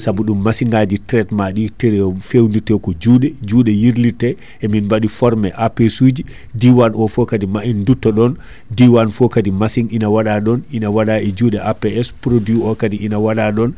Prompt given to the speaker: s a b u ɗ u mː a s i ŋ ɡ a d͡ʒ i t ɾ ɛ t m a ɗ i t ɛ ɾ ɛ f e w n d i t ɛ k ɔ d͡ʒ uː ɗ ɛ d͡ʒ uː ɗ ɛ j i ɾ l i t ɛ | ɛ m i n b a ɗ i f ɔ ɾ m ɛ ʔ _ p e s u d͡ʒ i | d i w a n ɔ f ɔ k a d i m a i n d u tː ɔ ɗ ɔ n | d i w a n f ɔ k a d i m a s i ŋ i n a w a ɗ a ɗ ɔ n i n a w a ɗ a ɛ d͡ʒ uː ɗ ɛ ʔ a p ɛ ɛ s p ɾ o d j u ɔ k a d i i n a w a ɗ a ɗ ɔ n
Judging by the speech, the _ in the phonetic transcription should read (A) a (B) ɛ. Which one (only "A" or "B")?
A